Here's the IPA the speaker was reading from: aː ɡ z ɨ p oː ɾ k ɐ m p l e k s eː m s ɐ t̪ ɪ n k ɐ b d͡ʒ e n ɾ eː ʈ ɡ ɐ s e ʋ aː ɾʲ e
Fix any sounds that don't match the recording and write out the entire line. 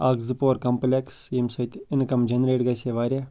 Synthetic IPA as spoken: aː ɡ z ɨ p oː ɾ k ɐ m p l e k s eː m s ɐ t̪ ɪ n k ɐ m d͡ʒ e n ɾ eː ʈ ɡ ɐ s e ʋ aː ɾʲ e